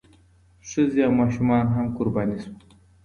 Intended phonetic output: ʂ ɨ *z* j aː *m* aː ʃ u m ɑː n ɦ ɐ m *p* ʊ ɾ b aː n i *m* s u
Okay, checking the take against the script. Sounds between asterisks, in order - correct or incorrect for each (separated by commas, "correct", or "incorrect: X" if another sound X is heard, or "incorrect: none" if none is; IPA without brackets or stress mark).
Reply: correct, correct, incorrect: k, incorrect: none